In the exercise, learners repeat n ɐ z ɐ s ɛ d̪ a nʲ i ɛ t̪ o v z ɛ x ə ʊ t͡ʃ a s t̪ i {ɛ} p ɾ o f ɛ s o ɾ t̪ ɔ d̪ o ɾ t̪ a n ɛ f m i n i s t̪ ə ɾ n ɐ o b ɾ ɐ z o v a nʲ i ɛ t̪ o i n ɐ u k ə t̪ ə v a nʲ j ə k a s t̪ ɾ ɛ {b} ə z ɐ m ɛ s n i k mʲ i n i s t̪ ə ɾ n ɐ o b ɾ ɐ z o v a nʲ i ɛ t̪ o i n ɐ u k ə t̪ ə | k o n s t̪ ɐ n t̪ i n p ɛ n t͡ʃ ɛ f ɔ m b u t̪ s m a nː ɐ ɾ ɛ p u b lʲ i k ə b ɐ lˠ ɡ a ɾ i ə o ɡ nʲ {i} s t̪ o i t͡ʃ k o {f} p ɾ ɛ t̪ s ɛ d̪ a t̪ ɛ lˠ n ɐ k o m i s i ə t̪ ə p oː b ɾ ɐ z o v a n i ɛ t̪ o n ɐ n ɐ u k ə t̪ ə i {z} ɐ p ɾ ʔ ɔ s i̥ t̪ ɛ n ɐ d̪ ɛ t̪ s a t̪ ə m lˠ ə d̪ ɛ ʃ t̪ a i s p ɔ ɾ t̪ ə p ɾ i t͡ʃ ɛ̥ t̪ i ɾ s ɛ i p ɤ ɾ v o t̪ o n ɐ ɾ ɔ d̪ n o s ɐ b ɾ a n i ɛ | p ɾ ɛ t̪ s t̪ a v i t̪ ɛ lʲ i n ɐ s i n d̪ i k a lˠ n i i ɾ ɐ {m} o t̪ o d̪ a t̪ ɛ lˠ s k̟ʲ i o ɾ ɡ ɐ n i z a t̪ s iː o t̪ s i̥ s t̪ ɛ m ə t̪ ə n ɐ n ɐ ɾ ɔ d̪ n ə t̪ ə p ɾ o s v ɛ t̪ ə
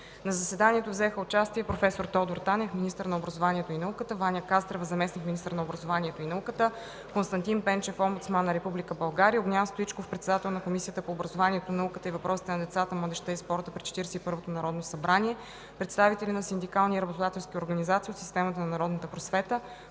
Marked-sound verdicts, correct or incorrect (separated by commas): correct, incorrect, incorrect, correct, incorrect, incorrect